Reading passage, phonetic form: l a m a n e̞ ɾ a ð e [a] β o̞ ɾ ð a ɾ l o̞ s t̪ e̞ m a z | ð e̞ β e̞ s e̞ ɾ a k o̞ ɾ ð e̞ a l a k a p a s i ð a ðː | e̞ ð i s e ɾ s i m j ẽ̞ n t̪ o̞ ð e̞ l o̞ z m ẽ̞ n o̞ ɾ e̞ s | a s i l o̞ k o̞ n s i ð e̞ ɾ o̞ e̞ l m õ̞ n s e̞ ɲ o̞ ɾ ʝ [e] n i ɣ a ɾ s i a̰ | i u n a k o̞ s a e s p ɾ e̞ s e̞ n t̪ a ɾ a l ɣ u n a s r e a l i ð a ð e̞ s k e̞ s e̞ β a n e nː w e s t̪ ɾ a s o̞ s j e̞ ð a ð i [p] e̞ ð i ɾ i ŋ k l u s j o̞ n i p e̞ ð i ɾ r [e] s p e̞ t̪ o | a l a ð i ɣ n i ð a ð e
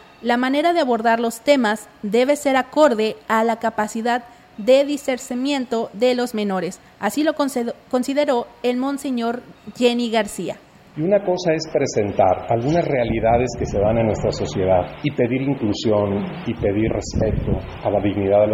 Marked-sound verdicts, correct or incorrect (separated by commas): correct, correct, correct, correct